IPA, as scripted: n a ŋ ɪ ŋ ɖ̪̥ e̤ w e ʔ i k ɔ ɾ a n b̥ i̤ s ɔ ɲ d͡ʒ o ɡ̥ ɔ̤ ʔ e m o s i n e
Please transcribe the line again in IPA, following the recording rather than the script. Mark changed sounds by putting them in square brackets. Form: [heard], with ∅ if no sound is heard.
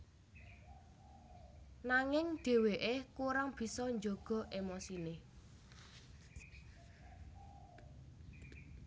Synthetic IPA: n a ŋ ɪ ŋ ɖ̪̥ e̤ w e ʔ [e] k [u] ɾ a [ŋ] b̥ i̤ s ɔ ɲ d͡ʒ o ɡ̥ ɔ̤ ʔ e m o s i n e